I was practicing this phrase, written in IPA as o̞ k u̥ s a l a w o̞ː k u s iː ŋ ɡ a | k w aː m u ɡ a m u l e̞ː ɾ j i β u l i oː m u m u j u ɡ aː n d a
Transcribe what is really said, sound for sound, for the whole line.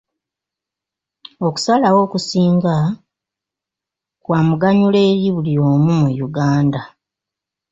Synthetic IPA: o̞ k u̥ s a l a w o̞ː k u s iː ŋ ɡ a | k w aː m u ɡ a ɲ u l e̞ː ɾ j i β u l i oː m u m u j u ɡ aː n d a